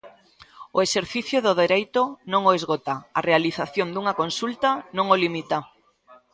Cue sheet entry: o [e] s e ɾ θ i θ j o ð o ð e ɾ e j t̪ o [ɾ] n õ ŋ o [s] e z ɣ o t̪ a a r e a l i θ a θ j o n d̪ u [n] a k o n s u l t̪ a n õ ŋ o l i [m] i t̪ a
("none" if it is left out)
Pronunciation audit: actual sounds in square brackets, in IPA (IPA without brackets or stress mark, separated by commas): e, none, none, ŋ, m